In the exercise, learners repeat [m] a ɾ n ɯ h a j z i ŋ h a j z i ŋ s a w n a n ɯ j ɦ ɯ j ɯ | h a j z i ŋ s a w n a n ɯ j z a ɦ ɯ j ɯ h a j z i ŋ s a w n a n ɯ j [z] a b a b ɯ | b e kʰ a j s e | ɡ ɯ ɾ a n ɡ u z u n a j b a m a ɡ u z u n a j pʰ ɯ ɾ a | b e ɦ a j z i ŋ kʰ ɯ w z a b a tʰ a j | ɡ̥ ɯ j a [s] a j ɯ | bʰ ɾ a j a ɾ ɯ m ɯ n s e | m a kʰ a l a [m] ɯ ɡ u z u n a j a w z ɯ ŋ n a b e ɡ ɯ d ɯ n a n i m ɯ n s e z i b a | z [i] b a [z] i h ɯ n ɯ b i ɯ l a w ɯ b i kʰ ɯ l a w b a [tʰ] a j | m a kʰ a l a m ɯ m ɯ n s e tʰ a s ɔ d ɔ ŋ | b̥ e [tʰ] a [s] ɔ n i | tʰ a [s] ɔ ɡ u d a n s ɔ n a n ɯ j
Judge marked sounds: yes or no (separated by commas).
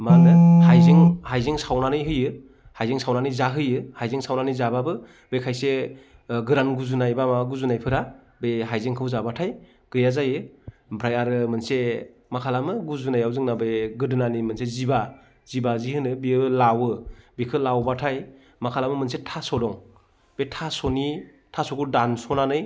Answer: yes, yes, no, yes, yes, yes, yes, yes, yes, yes